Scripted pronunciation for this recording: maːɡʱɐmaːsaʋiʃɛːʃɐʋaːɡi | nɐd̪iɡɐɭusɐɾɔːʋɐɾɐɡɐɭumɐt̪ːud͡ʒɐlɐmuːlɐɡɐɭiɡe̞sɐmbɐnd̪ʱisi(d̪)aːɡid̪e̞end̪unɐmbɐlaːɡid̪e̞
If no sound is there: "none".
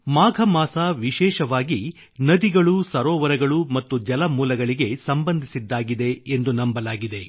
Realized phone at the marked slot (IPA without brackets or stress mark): d̪ː